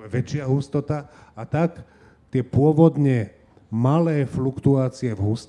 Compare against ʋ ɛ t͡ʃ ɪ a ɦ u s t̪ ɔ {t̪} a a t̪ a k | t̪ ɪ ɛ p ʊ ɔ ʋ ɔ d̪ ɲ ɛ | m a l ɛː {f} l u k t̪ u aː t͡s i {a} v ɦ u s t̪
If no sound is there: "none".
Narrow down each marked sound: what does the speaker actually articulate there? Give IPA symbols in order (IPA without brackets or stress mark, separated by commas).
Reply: t̪, f, ɛ